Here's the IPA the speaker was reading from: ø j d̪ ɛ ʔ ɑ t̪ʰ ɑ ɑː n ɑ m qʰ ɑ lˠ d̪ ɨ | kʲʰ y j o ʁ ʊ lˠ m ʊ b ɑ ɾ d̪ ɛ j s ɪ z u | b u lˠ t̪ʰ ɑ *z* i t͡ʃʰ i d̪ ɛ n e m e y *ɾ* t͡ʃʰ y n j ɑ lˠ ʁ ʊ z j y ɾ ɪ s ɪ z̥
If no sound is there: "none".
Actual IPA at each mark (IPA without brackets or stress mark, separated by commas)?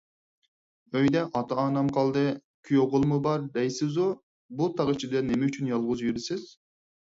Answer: ʁ, none